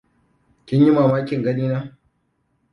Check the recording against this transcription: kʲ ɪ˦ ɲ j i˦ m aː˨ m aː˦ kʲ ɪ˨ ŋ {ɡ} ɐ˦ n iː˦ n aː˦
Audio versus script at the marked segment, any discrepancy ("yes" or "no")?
no